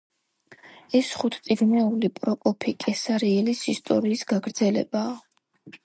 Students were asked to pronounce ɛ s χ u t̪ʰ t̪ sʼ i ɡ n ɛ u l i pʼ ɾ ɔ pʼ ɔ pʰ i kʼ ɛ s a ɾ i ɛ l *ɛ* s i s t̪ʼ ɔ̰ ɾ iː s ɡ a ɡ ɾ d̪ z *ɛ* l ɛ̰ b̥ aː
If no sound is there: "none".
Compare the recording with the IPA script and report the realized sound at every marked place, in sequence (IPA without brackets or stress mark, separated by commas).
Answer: i, ɛ